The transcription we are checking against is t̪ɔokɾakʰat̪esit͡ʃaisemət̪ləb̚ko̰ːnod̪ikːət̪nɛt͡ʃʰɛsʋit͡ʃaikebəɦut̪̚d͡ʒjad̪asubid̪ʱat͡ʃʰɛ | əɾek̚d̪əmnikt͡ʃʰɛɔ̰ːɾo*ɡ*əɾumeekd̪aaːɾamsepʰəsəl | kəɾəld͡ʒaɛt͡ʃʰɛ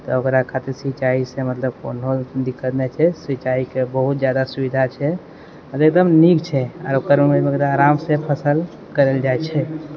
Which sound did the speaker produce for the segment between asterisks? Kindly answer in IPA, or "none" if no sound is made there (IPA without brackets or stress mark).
k